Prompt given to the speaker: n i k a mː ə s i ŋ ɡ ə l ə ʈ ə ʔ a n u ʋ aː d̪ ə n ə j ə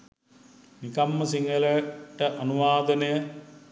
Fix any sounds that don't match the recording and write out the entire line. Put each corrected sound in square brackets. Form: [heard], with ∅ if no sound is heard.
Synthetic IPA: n i k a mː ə s i ŋ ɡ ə l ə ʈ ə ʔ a n u ʋ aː d̪ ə n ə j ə